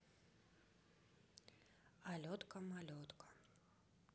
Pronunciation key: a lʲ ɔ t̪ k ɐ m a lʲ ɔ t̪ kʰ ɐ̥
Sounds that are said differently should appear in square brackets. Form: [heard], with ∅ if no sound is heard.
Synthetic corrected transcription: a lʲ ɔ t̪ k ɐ m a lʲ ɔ t̪ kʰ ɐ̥